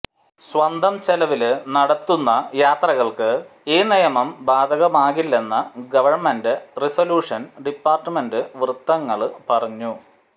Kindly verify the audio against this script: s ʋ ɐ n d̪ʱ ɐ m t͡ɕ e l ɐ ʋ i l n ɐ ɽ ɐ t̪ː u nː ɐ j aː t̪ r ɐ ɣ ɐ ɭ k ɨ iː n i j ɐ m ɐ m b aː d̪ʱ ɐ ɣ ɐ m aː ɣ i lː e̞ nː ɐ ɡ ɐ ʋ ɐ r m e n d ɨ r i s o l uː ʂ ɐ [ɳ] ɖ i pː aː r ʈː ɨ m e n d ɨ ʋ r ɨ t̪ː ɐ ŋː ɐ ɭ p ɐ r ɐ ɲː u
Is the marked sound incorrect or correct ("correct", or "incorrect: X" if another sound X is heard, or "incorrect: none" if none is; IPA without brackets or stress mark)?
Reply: incorrect: n